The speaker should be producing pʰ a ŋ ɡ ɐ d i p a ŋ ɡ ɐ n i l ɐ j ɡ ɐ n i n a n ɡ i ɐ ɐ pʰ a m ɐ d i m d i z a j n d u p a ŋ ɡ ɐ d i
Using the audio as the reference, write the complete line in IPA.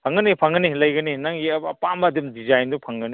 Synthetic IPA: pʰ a ŋ ɡ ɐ n i pʰ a ŋ ɡ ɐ n i l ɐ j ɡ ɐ n i n a ŋ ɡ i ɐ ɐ p a m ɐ d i m d i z a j n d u pʰ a ŋ ɡ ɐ n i